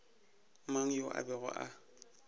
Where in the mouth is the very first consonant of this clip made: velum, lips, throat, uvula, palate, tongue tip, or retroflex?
lips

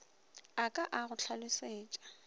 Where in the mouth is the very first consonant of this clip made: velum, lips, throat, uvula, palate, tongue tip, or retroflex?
velum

